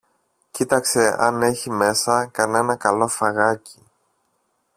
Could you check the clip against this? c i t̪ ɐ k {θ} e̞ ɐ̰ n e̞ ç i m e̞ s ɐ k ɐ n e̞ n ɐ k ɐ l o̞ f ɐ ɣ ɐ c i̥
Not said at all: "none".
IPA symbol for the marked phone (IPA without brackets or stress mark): s